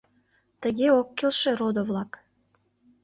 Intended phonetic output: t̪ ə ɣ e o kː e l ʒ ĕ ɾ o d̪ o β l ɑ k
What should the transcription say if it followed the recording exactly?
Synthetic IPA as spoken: t̪ ə ɣ e o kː e l ʃ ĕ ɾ o d̪ o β l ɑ k